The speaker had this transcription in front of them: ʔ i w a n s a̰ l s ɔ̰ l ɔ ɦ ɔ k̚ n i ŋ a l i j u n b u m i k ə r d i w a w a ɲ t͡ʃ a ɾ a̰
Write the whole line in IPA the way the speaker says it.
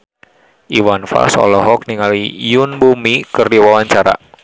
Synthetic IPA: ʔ i w a n f a̰ l s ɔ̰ l ɔ ɦ ɔ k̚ n i ŋ a l i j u n b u m i k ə r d i w a w a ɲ t͡ʃ a ɾ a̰